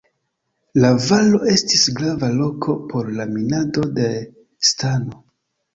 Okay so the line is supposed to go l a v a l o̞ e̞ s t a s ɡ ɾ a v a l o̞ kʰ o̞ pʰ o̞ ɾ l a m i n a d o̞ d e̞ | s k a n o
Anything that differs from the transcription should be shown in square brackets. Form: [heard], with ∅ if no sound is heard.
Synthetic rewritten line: l a v a l o̞ e̞ s t [i] s ɡ ɾ a v a l o̞ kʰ o̞ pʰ o̞ ɾ l a m i n a d o̞ d e̞ | s [t] a n o